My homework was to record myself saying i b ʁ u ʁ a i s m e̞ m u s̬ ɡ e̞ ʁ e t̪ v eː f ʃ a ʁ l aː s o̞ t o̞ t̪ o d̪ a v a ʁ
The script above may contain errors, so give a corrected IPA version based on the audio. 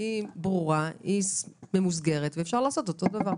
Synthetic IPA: i b ʁ u ʁ a i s m e̞ m u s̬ ɡ e̞ ʁ e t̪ v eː f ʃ a ʁ l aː s o̞ t o̞ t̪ o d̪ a v a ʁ

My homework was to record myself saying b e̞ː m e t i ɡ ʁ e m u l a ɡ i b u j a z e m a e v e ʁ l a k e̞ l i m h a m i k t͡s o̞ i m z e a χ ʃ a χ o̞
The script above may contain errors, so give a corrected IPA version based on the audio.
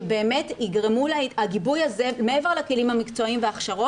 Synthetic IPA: b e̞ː m e t i ɡ ʁ e m u l a ɡ i b u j a z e m e e v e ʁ l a k e̞ l i m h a m i k t͡s o̞ i m v e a χ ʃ a ʁ o̞

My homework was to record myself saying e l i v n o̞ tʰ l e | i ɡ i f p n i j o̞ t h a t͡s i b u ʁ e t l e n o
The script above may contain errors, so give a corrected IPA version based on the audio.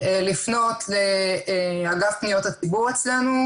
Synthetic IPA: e l i f n o̞ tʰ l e | a ɡ a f p n i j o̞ t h a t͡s i b u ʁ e t͡s l e n u

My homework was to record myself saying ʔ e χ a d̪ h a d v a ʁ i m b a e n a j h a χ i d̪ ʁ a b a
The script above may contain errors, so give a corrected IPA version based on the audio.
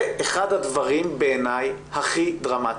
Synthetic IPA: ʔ e χ a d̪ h a d v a ʁ i m b e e n a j h a χ i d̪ ʁ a m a

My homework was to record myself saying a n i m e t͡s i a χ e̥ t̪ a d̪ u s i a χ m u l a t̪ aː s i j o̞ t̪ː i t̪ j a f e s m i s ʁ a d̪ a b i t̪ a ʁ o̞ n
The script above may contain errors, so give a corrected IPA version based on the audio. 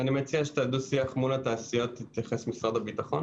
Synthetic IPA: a n i m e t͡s i a ʃ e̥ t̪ a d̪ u s i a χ m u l a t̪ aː s i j o̞ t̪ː i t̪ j a χ e s m i s ʁ a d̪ a b i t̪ a χ o̞ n

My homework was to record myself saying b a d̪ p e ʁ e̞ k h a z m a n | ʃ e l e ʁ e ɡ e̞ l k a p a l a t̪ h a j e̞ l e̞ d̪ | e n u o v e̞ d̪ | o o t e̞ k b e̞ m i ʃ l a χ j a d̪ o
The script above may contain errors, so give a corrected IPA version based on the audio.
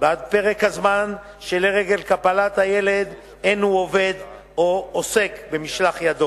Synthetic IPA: b a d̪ p e ʁ e̞ k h a z m a n | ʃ e l e ʁ e ɡ e̞ l k a p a l a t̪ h a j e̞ l e̞ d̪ | e n u o v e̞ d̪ | o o s e̞ k b e̞ m i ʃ l a χ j a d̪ o

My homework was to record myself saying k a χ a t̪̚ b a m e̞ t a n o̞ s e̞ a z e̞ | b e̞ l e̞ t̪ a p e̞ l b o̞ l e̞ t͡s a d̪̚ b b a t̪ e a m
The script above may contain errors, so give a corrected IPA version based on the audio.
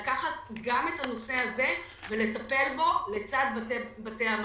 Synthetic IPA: k a χ a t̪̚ ɡ a m e̞ t a n o̞ s e̞ a z e̞ | v e̞ l e̞ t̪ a p e̞ l b o̞ l e̞ t͡s a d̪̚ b b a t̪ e a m

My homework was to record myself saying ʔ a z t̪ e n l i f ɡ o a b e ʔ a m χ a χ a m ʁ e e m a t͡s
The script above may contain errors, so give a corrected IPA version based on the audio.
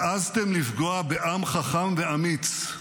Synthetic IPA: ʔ a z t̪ e m l i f ɡ o a b e ʔ a m χ a χ a m v e a m i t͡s

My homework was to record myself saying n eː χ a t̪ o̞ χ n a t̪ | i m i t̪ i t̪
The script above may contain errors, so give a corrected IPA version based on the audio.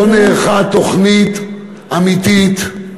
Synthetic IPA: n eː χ a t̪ o̞ χ n i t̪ | a m i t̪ i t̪

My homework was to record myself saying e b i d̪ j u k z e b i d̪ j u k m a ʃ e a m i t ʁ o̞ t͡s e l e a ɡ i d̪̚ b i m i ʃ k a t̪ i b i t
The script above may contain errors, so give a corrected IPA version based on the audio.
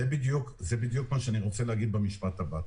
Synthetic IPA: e b i d̪ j u k z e b i d̪ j u k m a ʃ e a n i ʁ o̞ t͡s e l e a ɡ i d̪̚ b e m i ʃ p a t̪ a b a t

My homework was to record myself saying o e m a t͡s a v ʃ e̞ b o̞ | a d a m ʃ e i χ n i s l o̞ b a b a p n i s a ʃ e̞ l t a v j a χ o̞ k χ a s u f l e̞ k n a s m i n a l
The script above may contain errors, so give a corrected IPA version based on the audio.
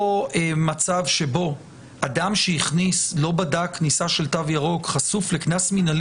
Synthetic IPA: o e m a t͡s a v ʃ e̞ b o̞ | a d a m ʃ e i χ n i s l o̞ b a d a k n i s a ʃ e̞ l t a v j a ʁ o̞ k χ a s u f l e̞ k n a s m i n a l

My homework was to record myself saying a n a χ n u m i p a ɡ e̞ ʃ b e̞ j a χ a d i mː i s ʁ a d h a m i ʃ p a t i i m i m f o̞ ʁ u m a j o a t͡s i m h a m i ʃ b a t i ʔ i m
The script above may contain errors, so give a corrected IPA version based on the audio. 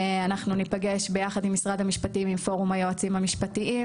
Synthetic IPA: a n a χ n u n i p a ɡ e̞ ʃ b e̞ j a χ a d i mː i s ʁ a d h a m i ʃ p a t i i m i m f o̞ ʁ u m a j o a t͡s i m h a m i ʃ p a t i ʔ i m

